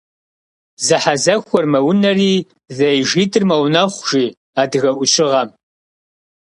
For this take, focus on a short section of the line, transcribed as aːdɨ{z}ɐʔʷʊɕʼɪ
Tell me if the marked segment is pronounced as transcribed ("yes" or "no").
no